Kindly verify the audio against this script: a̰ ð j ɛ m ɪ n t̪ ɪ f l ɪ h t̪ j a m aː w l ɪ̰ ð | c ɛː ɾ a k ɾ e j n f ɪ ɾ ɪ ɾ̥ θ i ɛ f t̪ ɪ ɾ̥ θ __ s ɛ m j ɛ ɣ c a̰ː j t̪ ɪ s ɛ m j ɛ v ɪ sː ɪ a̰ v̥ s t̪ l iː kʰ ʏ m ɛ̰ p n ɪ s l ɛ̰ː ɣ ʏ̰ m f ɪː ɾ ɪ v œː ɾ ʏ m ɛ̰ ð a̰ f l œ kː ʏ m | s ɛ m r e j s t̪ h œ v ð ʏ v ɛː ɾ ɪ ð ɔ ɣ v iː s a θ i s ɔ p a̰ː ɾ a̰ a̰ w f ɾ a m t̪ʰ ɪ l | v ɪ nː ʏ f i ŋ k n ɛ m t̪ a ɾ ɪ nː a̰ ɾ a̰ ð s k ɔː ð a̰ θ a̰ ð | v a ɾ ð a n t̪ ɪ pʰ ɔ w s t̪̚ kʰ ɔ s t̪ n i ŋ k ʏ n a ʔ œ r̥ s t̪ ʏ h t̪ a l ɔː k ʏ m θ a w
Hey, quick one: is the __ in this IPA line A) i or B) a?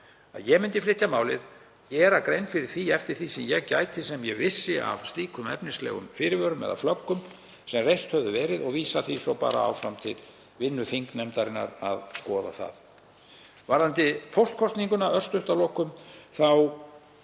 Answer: A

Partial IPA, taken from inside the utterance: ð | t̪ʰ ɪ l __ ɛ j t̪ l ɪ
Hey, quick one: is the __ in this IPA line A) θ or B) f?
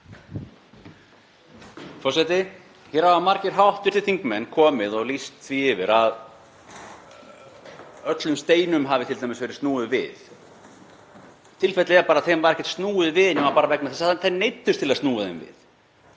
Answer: B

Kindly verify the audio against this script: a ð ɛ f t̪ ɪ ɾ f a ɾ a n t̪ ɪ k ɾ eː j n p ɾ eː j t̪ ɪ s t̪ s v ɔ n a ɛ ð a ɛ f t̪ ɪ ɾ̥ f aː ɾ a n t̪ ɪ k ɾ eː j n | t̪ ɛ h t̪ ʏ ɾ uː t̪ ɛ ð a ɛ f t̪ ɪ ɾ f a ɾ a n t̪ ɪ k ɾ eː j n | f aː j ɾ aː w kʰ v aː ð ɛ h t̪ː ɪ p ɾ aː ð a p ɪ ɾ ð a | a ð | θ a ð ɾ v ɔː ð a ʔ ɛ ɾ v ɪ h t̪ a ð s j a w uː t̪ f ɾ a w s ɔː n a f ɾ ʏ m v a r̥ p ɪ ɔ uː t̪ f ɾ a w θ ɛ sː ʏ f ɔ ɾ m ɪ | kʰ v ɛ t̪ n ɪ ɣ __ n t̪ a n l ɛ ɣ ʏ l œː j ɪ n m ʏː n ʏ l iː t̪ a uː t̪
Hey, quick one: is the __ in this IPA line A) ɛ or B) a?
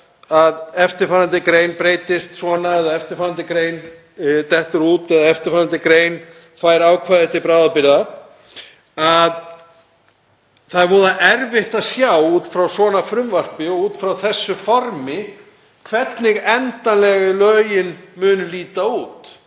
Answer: A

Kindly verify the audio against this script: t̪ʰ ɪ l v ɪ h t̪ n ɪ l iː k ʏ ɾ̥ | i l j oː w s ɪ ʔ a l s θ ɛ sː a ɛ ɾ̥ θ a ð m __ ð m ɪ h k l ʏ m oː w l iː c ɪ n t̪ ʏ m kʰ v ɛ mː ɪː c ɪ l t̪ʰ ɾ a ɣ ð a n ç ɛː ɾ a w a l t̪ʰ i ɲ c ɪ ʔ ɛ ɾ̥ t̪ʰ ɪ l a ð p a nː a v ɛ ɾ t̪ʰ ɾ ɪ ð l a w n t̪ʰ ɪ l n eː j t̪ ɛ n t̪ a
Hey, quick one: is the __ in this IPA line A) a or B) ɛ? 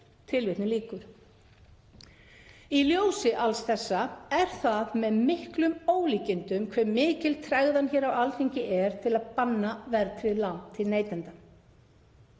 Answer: B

